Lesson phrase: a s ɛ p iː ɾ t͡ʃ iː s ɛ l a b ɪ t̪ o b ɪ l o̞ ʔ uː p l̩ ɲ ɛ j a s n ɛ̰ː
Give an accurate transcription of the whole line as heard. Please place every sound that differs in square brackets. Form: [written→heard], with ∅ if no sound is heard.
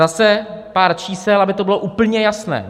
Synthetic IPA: a s ɛ p [iː→aː] ɾ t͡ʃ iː s ɛ l a b ɪ t̪ o b ɪ l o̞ ʔ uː p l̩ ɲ ɛ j a s n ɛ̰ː